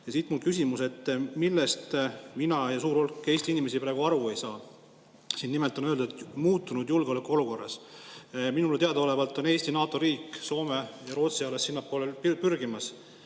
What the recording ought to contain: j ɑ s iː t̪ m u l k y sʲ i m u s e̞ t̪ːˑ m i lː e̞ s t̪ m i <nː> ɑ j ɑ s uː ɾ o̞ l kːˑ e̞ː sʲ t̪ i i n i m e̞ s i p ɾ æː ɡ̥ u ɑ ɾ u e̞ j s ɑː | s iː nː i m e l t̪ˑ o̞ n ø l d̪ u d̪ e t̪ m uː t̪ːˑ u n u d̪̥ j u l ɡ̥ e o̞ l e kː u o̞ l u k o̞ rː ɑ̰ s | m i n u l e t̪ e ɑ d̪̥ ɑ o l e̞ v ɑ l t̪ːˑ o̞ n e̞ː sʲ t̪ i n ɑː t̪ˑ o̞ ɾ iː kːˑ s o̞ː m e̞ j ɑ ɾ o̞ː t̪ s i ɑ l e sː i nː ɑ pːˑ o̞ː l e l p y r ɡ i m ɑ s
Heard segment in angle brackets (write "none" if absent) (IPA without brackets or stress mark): n